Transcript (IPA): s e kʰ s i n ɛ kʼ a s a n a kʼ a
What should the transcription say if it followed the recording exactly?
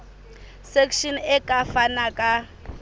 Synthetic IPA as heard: s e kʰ ʃ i n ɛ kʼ a f a n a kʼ a